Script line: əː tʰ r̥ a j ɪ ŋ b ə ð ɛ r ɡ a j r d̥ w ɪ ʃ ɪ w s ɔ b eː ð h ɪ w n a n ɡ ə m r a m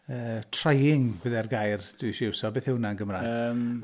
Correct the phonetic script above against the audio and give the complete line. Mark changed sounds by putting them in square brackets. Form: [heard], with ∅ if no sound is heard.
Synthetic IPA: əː tʰ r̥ a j ɪ ŋ b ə ð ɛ r ɡ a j r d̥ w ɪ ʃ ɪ w s ɔ b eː [θ] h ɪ w n a n ɡ ə m r a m